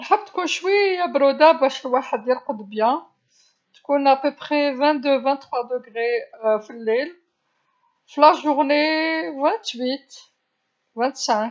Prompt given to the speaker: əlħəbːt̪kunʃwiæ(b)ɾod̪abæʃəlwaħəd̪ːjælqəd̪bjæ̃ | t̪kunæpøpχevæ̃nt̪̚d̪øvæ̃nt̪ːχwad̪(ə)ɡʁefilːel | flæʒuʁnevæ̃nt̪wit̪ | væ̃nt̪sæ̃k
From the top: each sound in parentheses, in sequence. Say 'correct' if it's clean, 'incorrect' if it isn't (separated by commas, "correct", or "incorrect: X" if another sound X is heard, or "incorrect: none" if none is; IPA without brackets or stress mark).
correct, correct